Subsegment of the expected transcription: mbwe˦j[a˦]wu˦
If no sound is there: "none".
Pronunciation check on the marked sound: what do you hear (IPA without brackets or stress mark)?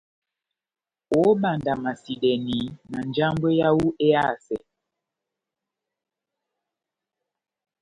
a˦